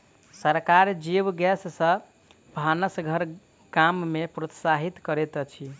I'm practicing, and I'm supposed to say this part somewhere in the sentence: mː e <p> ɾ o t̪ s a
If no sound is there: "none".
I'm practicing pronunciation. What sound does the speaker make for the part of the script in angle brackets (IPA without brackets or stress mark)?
p